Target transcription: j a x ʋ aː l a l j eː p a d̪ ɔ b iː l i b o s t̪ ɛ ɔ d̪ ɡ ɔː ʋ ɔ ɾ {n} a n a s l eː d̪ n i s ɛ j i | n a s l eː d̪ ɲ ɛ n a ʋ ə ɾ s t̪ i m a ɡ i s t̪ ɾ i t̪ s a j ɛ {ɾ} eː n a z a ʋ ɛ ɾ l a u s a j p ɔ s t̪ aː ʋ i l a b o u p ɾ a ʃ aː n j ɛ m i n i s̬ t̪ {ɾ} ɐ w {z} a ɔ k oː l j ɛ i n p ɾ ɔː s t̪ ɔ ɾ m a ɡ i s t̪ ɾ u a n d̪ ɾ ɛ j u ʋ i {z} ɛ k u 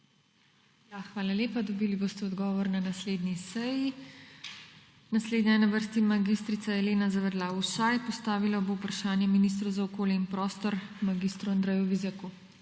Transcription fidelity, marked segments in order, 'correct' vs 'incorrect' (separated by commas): correct, incorrect, correct, correct, correct